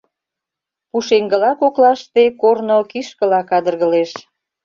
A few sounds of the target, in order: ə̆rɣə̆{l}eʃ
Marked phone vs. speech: correct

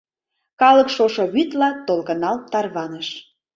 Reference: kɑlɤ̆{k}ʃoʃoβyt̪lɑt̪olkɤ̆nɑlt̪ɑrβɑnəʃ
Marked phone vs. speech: correct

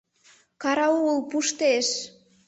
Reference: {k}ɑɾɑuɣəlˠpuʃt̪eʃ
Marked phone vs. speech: correct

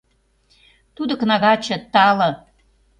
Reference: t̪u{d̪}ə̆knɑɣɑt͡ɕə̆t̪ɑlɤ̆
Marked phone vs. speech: correct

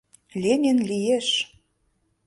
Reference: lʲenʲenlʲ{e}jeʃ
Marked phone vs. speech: incorrect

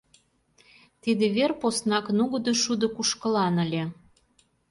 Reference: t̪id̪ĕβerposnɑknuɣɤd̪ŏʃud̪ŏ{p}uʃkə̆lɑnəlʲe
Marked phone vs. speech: incorrect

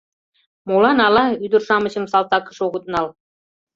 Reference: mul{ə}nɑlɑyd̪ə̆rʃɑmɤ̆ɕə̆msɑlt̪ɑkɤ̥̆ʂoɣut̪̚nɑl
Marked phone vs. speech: incorrect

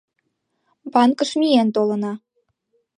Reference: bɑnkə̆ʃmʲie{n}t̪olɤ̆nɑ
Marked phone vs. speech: correct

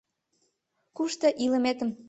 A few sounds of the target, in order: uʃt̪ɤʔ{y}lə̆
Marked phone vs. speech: incorrect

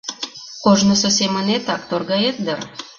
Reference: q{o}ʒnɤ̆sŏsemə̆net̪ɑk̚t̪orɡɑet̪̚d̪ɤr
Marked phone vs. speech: correct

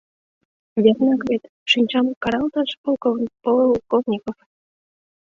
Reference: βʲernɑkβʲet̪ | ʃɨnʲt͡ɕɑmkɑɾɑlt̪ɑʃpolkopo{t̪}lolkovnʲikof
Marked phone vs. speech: incorrect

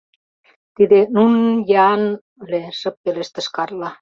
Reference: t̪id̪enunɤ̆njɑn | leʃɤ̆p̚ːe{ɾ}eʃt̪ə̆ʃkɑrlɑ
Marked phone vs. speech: incorrect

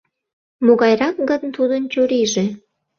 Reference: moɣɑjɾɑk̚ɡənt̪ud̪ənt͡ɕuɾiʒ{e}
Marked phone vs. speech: correct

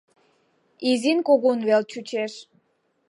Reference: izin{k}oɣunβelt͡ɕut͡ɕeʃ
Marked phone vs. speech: correct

